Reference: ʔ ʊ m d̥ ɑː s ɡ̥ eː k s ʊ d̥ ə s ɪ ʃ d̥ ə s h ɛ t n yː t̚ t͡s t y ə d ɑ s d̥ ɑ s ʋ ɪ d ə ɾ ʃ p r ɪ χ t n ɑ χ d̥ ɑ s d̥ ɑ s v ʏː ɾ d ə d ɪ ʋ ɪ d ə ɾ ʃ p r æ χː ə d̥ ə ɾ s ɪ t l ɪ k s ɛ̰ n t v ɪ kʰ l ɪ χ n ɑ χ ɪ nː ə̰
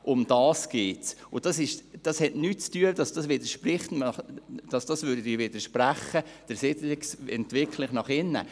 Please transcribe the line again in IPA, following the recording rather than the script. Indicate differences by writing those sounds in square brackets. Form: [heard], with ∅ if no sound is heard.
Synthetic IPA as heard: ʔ ʊ m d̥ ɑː s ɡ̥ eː [t] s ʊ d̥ [ɑ] s ɪ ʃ d̥ [ɑ] s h ɛ t n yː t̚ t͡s t y ə d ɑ s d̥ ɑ s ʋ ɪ d ə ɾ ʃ p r ɪ χ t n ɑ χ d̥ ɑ s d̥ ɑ s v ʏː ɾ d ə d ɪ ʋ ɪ d ə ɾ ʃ p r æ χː ə d̥ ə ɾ s ɪ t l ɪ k s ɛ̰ n t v ɪ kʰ l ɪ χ n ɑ χ ɪ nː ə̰